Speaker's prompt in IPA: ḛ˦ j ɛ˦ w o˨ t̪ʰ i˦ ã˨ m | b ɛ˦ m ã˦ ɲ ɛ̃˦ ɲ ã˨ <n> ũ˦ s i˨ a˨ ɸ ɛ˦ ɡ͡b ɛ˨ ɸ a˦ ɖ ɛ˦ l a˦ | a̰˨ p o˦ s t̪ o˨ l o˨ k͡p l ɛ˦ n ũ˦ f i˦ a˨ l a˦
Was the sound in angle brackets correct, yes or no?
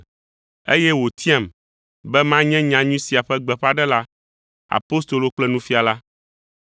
no